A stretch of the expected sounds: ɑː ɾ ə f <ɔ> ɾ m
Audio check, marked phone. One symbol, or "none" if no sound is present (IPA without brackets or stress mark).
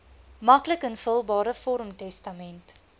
ɔ